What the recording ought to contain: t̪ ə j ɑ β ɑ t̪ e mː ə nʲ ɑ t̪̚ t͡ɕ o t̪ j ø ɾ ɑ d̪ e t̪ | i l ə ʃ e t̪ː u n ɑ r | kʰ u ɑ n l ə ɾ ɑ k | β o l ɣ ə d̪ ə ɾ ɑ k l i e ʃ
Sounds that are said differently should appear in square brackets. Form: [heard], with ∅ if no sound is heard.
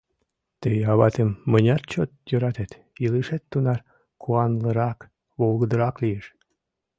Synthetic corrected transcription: t̪ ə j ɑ β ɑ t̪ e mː ə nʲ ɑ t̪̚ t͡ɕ o t̪ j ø ɾ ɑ [t̪] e t̪ | i l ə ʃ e t̪ː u n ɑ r | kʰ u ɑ n l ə ɾ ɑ k | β o l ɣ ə d̪ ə ɾ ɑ k l i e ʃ